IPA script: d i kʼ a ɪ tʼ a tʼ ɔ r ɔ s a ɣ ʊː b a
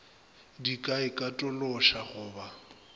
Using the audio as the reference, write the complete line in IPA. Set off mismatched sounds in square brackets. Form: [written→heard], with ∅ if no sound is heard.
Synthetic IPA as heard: d i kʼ a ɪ [tʼ→kʼ] a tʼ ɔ [r→l] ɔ [s→ʃ] a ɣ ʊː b a